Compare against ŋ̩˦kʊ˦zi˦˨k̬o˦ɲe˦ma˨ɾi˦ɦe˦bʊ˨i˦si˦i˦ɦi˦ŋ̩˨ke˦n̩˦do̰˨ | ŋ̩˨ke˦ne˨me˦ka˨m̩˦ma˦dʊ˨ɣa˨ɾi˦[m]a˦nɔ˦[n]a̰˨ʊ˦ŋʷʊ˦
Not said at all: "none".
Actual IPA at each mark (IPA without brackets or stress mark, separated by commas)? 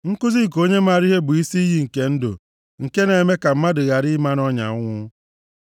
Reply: m, ɲ